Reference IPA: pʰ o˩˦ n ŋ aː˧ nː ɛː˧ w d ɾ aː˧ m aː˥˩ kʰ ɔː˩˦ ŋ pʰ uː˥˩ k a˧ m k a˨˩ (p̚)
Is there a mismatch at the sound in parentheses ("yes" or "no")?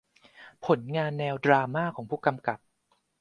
no